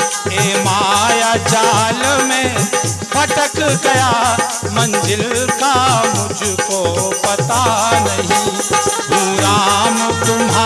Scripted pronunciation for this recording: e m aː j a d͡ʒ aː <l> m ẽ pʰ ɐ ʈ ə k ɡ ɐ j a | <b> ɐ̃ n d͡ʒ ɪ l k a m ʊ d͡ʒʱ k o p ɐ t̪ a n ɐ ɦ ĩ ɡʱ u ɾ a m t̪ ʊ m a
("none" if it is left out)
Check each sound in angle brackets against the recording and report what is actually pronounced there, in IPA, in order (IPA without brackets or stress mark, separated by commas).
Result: l, m